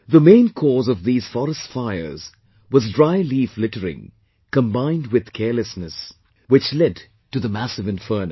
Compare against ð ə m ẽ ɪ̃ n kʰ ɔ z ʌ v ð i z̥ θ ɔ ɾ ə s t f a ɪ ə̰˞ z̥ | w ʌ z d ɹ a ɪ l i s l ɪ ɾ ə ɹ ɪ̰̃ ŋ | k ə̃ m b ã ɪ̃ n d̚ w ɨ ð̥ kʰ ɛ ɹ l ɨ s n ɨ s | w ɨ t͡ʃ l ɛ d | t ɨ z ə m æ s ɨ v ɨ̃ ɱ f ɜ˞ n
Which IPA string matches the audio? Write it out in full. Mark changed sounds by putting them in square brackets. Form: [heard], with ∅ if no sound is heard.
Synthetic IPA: ð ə m ẽ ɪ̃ n kʰ ɔ z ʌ v ð i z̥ [f] ɔ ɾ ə s t f a ɪ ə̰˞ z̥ | w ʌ z d ɹ a ɪ l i [f] l ɪ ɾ ə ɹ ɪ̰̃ ŋ | k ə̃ m b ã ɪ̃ n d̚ w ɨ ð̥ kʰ ɛ ɹ l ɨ s n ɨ s | w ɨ t͡ʃ l ɛ d | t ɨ [ð] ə m æ s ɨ v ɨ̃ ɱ f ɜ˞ n